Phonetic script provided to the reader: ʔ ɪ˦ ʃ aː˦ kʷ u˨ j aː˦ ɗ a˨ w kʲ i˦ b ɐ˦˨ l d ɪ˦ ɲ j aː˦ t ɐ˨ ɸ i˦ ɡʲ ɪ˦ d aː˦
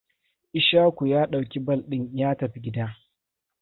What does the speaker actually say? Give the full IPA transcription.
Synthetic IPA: ʔ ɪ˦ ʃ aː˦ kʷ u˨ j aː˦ ɗ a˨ w kʲ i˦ b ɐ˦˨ l ɗ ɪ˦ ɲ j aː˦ t ɐ˨ ɸ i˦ ɡʲ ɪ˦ d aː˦